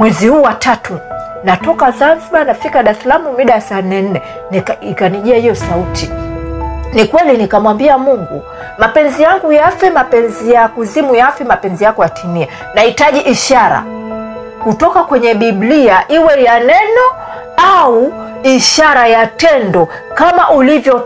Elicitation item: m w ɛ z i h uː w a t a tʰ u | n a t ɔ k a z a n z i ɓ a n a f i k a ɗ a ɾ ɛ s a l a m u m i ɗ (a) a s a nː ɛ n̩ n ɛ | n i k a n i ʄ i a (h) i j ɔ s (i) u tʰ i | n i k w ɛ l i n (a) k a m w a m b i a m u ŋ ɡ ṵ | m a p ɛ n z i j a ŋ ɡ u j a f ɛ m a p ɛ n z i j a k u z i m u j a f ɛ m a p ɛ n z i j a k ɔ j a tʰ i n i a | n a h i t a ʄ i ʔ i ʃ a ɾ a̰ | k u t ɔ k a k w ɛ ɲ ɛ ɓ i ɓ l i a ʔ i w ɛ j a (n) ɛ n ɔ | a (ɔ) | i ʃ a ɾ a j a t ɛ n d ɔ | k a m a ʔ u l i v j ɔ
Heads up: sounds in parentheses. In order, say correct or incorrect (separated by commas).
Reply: correct, correct, incorrect, incorrect, correct, incorrect